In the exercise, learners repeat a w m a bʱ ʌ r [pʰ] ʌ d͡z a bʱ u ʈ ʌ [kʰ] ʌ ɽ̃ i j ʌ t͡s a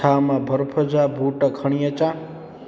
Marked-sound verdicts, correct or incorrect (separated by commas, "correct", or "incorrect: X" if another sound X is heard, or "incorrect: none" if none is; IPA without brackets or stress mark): correct, correct